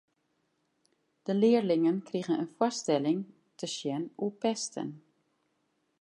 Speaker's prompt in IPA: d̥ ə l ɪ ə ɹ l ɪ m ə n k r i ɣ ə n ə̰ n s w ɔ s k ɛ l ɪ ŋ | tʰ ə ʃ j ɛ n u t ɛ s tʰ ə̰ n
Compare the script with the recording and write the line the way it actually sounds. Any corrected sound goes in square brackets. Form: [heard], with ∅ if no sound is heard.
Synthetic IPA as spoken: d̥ ə l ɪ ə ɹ l ɪ [ŋ] ə n k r i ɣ ə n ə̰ n [f] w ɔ s [t] ɛ l ɪ ŋ | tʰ ə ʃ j ɛ n u [p] ɛ s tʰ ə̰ n